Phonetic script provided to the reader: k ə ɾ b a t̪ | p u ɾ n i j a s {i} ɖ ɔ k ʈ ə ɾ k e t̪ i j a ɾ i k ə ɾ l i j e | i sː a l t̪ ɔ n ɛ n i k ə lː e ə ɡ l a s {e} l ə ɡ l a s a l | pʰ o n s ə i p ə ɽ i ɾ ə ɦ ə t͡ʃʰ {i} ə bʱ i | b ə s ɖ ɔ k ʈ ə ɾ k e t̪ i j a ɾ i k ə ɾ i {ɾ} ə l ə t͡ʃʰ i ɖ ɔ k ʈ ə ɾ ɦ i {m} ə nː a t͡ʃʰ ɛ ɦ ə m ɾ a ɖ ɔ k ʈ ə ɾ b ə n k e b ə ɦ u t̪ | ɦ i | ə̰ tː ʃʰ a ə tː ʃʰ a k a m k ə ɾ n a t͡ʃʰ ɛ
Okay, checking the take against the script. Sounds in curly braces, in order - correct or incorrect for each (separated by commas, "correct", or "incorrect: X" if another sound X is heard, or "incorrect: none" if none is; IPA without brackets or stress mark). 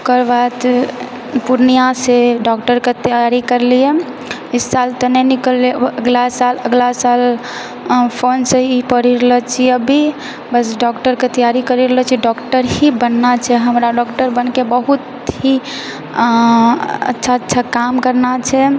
incorrect: e, incorrect: a, correct, correct, incorrect: b